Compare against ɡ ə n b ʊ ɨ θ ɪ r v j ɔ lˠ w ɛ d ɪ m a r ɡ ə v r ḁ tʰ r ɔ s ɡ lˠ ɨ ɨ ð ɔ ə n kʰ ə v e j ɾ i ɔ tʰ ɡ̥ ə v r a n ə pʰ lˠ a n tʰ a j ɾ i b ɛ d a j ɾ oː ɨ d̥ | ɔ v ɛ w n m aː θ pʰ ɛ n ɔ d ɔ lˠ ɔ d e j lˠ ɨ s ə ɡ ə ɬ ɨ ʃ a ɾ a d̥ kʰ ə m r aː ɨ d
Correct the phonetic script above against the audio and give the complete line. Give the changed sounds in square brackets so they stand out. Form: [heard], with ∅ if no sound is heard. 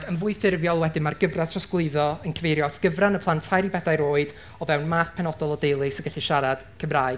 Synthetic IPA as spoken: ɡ ə n [v] ʊ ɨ θ ɪ r v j ɔ lˠ w ɛ d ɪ m a r ɡ ə v r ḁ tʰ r ɔ s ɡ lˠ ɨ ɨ ð ɔ ə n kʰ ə v e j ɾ [j] ɔ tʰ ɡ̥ ə v r a n ə pʰ lˠ a n tʰ a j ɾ i b ɛ d a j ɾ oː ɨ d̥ | ɔ v ɛ w n m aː θ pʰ ɛ n ɔ d ɔ lˠ ɔ d e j lˠ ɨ s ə ɡ ə ɬ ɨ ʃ a ɾ a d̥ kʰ ə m r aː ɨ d

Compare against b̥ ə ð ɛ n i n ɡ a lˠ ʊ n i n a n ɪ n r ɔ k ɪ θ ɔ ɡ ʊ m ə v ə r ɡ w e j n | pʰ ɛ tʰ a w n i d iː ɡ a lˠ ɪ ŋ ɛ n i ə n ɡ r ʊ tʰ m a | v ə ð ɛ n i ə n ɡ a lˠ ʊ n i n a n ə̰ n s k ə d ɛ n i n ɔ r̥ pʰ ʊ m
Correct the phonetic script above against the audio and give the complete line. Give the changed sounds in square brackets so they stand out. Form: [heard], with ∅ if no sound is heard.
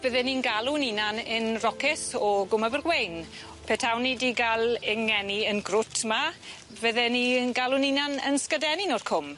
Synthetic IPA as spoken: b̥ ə ð ɛ n i n ɡ a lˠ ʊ n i n a n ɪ n r ɔ k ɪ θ ɔ ɡ ʊ m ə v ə r ɡ w e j n | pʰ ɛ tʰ a w n i d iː ɡ a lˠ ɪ ŋ ɛ n i ə n ɡ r ʊ tʰ m a | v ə ð ɛ n i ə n ɡ a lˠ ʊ n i n a n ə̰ n s k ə d ɛ n i n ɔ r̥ [kʰ] ʊ m

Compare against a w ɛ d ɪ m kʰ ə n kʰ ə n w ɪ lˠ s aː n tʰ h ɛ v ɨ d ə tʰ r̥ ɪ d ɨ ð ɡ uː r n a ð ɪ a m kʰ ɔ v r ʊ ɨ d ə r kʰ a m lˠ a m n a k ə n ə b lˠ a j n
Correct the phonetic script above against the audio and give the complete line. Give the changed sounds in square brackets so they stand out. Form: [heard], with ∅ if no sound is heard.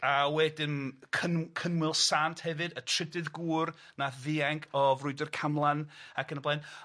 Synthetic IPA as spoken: a w ɛ d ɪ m kʰ ə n kʰ ə n w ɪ lˠ s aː n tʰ h ɛ v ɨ d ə tʰ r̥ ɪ d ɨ ð ɡ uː r n a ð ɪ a [ŋ] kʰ ɔ v r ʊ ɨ d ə r kʰ a m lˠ a [∅] n a k ə n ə b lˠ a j n

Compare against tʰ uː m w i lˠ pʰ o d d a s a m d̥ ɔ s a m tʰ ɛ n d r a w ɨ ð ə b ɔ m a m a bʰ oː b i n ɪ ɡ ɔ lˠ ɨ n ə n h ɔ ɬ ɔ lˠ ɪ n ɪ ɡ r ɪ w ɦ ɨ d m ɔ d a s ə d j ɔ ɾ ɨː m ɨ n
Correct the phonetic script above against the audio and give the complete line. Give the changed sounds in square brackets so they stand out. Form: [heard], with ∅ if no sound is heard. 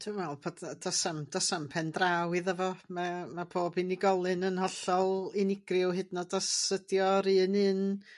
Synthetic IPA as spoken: tʰ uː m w [ɛ] lˠ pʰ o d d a s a m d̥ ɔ s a m [pʰ] ɛ n d r a w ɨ ð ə [v] ɔ m a m a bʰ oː b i n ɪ ɡ ɔ lˠ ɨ n ə n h ɔ ɬ ɔ lˠ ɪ n ɪ ɡ r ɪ w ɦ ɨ d [n] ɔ d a s ə d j ɔ ɾ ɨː [n] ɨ n

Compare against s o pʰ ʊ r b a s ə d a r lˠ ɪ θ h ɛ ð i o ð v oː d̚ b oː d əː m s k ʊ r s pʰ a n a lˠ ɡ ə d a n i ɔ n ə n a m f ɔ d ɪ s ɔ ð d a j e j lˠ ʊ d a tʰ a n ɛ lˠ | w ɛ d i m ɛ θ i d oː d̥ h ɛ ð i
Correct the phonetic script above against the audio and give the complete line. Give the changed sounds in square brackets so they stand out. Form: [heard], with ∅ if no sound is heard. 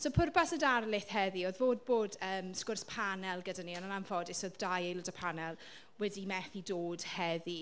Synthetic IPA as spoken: s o pʰ ʊ r b a s ə d a r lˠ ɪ θ h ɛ ð i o ð v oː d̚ b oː d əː m s k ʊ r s pʰ a n [ɛ] lˠ ɡ ə d a n i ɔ n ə n a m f ɔ d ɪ s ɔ ð d a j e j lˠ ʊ d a [pʰ] a n ɛ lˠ | w ɛ d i m ɛ θ i d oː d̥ h ɛ ð i

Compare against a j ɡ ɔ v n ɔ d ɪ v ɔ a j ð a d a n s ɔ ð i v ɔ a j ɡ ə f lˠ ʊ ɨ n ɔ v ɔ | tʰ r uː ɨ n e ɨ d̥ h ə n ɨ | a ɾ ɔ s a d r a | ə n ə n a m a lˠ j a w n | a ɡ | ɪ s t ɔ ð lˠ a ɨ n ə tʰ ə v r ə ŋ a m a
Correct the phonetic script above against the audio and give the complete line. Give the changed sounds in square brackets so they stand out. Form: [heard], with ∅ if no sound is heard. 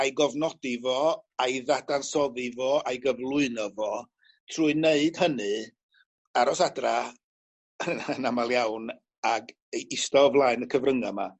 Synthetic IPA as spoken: a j ɡ ɔ v n ɔ d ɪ v ɔ a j ð a d a n s ɔ ð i v ɔ a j ɡ ə [v] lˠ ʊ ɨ n ɔ v ɔ | tʰ r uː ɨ n e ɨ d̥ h ə n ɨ | a ɾ ɔ s a d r a | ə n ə n a m a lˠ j a w n | a ɡ | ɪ s t ɔ [v] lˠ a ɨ n ə [kʰ] ə v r ə ŋ a m a

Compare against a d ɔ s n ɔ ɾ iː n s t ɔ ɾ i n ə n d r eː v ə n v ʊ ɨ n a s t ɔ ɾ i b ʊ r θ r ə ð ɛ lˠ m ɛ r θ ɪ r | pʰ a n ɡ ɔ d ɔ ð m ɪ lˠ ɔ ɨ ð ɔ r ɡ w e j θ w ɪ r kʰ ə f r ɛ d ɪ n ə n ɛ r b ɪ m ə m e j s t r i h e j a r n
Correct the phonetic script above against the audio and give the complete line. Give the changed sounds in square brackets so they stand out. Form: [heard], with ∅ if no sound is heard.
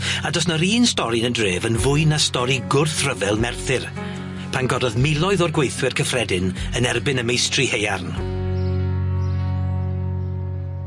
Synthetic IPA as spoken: a d ɔ s n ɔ ɾ iː n s t ɔ ɾ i n ə n d r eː v ə n v ʊ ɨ n a s t ɔ ɾ i [ɡ] ʊ r θ r ə [v] ɛ lˠ m ɛ r θ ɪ r | pʰ a n ɡ ɔ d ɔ ð m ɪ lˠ ɔ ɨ ð ɔ r ɡ w e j θ w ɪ r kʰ ə f r ɛ d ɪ n ə n ɛ r b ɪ [n] ə m e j s t r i h e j a r n

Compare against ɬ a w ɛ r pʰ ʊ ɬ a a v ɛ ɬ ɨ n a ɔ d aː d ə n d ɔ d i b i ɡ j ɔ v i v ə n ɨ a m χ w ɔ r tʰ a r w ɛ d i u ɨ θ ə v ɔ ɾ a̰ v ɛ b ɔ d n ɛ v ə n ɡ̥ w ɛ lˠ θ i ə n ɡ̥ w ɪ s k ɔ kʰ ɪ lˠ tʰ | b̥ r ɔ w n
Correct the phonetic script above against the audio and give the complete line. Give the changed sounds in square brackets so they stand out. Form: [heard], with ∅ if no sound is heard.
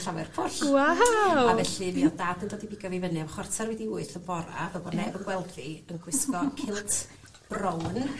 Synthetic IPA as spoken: ɬ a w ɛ r pʰ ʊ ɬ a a v ɛ ɬ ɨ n [i] ɔ d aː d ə n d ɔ d i b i ɡ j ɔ v i v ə n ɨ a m χ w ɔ r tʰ a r w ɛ d i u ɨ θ ə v ɔ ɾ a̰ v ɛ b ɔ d n ɛ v ə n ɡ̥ w ɛ lˠ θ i ə n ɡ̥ w ɪ s k ɔ kʰ ɪ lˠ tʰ | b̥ r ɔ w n

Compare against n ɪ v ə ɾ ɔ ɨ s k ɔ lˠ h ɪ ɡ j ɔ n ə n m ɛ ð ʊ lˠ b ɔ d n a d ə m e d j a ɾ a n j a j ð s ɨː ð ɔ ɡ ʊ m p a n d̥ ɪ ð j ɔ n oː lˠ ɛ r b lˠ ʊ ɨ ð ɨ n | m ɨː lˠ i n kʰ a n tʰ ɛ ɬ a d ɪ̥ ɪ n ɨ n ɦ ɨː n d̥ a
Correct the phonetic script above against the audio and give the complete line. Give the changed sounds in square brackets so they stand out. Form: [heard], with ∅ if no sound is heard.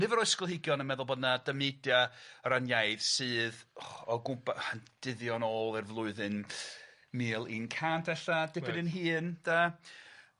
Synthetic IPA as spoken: n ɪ v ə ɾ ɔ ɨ s k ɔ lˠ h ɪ ɡ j ɔ n ə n m ɛ ð ʊ lˠ b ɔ d n a d ə m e d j a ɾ a n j a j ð s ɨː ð ɔ ɡ ʊ m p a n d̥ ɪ ð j ɔ n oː lˠ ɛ r [v] lˠ ʊ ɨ ð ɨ n | m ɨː lˠ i n kʰ a n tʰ ɛ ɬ a d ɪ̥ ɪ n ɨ n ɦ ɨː n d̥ a

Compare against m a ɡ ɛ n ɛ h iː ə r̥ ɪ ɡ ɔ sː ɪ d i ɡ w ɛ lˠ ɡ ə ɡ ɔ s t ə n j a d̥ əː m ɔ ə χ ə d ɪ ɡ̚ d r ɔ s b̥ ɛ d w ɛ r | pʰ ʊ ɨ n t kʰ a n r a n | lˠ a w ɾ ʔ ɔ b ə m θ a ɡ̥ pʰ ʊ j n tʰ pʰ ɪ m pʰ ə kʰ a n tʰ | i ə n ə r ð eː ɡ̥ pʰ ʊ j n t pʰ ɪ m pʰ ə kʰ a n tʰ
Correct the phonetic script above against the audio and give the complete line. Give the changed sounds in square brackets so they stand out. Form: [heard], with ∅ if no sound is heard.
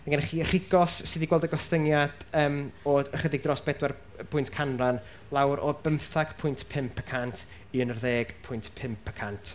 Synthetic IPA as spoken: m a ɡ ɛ n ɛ [χ] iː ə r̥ ɪ ɡ ɔ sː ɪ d i ɡ w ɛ lˠ [d] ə ɡ ɔ s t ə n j a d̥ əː m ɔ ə χ ə d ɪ ɡ̚ d r ɔ s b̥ ɛ d w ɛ r | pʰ ʊ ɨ n t kʰ a n r a n | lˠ a w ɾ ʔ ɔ b ə m θ a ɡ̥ pʰ ʊ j n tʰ pʰ ɪ m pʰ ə kʰ a n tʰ | i ə n ə r ð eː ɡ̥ pʰ ʊ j n t pʰ ɪ m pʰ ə kʰ a n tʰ

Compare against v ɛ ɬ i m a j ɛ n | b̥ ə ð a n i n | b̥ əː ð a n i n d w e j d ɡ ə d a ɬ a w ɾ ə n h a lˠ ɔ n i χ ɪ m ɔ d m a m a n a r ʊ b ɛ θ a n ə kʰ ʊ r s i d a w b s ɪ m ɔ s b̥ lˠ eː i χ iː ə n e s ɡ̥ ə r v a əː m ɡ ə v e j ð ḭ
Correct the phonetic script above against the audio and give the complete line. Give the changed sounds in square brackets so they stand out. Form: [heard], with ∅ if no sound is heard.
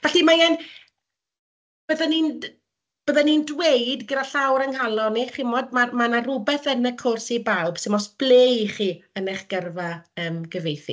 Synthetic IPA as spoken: v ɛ ɬ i m a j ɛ n | b̥ ə ð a n i n | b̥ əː ð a n i n d w e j d ɡ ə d a ɬ a w ɾ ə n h a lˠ ɔ n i χ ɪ m ɔ d m a m a n a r ʊ b ɛ θ [ə] n ə kʰ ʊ r s i [b] a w b s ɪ m ɔ s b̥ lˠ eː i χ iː ə n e [χ] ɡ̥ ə r v a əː m ɡ ə v e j [θ] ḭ

